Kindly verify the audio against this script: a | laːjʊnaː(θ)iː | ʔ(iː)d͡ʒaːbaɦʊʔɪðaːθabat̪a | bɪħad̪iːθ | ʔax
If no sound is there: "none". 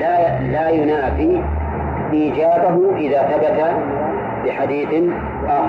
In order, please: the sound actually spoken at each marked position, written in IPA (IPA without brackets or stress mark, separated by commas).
f, iː